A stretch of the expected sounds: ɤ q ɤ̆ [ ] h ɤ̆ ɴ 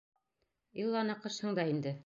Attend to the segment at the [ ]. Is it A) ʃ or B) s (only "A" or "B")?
A